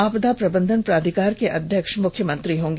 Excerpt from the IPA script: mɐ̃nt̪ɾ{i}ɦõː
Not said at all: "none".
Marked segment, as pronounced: i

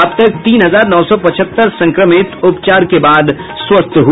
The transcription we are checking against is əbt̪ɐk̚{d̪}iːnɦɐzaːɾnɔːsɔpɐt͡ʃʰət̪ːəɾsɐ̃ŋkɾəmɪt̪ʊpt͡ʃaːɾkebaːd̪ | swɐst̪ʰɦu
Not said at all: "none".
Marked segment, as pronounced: t̪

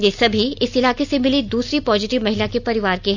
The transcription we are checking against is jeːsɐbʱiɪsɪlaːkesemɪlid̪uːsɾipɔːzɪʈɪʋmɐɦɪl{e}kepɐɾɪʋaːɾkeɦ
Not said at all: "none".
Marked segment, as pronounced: a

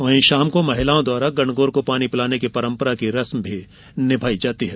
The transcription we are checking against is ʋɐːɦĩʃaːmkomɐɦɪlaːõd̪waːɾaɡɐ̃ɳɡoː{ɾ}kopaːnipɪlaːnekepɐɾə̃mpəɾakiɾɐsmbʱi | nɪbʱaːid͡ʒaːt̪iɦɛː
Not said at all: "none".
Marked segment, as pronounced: ɾ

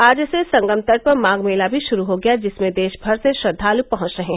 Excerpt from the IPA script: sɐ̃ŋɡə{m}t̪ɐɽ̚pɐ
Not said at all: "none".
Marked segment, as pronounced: m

